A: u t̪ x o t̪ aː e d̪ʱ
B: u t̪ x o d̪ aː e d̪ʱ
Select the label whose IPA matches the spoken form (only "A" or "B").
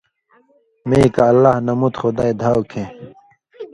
B